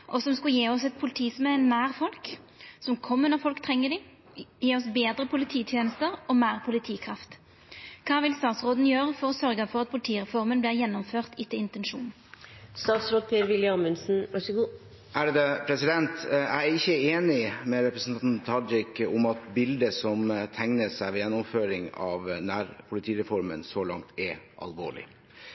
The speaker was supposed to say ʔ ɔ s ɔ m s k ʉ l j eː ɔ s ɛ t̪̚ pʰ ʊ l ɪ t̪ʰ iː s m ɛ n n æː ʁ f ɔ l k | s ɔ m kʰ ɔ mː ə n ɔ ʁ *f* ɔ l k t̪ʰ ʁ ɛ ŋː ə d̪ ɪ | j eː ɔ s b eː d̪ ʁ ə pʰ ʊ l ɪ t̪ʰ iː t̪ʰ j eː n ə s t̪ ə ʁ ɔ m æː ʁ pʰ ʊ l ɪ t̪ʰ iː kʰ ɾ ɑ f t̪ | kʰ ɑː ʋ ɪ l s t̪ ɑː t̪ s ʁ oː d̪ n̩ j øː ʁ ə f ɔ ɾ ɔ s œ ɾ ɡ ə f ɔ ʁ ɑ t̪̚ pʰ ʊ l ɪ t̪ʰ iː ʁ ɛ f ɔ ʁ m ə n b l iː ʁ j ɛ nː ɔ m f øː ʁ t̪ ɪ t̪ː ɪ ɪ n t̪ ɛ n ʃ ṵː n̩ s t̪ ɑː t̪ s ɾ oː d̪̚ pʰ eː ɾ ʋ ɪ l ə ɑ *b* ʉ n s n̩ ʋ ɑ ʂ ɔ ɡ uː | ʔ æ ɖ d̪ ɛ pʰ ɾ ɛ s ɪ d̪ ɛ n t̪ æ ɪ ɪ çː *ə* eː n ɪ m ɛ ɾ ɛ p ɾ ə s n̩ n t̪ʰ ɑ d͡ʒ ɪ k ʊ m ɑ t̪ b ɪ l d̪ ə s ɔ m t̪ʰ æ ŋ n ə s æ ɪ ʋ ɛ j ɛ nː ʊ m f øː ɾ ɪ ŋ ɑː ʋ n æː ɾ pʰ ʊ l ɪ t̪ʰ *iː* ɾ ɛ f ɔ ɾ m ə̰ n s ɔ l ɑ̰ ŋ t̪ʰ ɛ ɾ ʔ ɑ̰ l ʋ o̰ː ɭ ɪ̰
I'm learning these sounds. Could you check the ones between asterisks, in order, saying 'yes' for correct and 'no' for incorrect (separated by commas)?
yes, no, yes, yes